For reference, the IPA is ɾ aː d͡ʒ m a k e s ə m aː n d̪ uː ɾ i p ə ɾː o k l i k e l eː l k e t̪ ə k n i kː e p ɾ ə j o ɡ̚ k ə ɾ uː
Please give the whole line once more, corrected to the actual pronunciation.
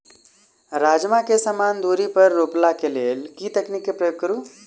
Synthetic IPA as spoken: ɾ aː d͡ʒ m a k e s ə m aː n d̪ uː ɾ i p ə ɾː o p l a k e l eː l k i t̪ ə k n i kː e p ɾ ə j o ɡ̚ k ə ɾ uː